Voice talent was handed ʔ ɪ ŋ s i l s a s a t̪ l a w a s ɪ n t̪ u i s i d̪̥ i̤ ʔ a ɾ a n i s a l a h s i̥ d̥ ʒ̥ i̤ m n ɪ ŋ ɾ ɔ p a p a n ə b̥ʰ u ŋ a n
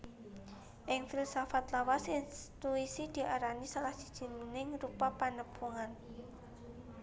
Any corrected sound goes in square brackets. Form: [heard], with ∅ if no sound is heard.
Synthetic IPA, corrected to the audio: ʔ ɪ ŋ [f] i l s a [f] a t̪ l a w a s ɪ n t̪ u i s i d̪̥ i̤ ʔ a ɾ a n i s a l a h s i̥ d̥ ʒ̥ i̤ m n ɪ ŋ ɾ [u] p a p a n ə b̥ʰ u ŋ a n